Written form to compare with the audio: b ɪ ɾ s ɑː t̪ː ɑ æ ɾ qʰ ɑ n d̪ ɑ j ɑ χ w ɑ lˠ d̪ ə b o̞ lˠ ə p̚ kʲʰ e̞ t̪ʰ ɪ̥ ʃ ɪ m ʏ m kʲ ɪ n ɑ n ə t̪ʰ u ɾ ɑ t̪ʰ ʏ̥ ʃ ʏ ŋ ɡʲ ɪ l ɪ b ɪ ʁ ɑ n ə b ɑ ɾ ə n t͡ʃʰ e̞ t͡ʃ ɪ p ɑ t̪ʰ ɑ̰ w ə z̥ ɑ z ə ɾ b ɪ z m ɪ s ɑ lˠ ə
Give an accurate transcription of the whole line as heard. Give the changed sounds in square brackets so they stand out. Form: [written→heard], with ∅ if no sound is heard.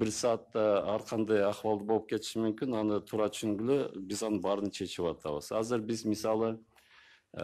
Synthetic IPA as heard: b ɪ ɾ s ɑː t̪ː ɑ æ ɾ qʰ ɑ n d̪ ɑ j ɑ χ w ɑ lˠ d̪ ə b o̞ lˠ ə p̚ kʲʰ e̞ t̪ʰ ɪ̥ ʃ ɪ m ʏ m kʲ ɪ n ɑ n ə t̪ʰ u ɾ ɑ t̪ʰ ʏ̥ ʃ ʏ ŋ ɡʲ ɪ l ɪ b ɪ [ʁ→z] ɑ n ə b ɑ ɾ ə n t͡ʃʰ e̞ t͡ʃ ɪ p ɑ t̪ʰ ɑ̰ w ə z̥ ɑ z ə ɾ b ɪ z m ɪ s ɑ lˠ ə